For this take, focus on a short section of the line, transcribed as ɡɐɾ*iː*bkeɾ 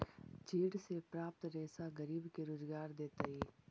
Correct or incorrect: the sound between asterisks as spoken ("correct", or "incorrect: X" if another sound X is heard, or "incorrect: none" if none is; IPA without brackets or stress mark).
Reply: correct